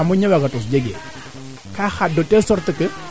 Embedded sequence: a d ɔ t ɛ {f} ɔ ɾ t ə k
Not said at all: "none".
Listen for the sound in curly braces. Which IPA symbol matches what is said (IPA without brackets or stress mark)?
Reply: s